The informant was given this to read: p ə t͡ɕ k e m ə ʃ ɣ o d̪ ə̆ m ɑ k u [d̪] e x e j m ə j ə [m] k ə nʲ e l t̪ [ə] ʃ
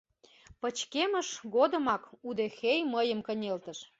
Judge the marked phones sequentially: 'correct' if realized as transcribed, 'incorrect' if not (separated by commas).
correct, correct, correct